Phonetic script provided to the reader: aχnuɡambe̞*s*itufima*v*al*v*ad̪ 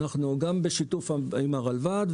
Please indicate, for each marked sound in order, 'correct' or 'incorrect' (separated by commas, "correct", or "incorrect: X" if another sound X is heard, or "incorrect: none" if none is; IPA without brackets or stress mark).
incorrect: ʃ, incorrect: ʁ, correct